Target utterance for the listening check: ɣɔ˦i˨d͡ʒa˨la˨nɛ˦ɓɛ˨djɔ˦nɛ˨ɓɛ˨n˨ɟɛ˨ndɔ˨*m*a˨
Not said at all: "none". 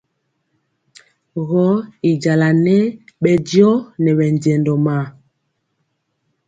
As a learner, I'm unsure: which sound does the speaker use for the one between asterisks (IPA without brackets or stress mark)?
m